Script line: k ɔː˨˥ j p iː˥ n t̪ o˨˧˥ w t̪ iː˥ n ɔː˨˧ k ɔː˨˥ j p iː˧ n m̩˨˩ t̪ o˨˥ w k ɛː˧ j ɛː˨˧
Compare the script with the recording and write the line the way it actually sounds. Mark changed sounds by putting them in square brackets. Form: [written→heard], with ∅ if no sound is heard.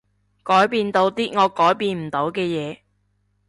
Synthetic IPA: k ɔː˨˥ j p [iː˥→iː˧] n t̪ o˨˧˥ w t̪ iː˥ [n→ŋ] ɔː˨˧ k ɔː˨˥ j p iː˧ n m̩˨˩ t̪ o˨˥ w k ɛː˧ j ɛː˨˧

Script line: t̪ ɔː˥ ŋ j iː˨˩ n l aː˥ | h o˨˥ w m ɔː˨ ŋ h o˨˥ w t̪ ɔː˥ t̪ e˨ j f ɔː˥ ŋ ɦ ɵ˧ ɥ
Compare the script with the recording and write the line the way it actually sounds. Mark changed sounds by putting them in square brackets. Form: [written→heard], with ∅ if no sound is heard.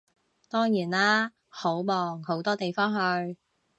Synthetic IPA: t̪ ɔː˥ ŋ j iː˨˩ n l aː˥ | h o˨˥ w m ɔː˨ ŋ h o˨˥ w t̪ ɔː˥ t̪ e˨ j f ɔː˥ ŋ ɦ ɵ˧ ɥ

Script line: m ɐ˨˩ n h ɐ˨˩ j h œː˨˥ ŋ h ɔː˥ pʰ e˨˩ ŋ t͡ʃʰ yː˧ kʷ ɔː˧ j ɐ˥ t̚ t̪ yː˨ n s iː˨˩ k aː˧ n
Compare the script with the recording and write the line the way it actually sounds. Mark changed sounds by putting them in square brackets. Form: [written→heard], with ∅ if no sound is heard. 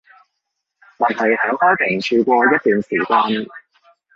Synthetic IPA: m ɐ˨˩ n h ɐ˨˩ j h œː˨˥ ŋ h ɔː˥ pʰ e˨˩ ŋ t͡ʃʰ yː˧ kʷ ɔː˧ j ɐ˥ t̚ t̪ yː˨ n s iː˨˩ k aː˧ n

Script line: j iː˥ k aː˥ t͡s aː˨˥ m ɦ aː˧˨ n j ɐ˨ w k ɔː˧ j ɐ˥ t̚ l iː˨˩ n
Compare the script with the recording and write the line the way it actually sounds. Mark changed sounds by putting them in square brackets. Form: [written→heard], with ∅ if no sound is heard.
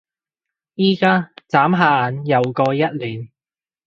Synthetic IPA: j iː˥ k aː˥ t͡s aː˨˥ m ɦ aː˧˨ n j ɐ˨ w k ɔː˧ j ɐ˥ t̚ l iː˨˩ n

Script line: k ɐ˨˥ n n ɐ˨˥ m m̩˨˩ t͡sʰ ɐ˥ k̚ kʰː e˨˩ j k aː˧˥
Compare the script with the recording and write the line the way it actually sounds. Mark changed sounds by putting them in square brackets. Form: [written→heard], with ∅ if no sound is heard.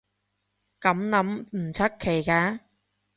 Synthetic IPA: k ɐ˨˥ [n→m] n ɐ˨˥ m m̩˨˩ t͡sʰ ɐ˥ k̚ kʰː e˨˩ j k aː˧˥

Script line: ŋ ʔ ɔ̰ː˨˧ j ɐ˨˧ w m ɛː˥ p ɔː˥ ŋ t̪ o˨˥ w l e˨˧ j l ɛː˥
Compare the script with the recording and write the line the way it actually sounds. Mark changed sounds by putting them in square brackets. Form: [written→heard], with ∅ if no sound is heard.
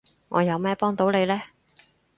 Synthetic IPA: ŋ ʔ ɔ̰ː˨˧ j ɐ˨˧ w m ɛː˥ p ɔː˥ ŋ t̪ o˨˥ w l e˨˧ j l ɛː˥

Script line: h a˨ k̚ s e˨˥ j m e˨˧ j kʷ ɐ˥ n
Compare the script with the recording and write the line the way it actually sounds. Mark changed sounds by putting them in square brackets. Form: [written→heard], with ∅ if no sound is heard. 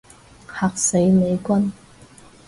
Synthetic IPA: h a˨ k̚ s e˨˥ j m e˨˧ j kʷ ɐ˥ n

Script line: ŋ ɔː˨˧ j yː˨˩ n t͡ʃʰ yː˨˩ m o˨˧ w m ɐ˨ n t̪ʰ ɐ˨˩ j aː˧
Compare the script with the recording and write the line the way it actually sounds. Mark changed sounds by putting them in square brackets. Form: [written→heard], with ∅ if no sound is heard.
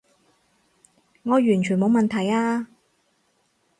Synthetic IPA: ŋ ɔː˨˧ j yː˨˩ n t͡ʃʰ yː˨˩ m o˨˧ w m ɐ˨ n t̪ʰ ɐ˨˩ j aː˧

